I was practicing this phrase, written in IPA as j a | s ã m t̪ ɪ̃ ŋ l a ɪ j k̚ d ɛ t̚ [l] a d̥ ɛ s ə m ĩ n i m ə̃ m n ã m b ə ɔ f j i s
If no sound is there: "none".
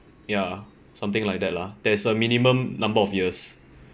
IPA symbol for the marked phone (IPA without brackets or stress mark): l